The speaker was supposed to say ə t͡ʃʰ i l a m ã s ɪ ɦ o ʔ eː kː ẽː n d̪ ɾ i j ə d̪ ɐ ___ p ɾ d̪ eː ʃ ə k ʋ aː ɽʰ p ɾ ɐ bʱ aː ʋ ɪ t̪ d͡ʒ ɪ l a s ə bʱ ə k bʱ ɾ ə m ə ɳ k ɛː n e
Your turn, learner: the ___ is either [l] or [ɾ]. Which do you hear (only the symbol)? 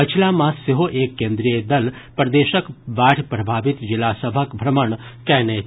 l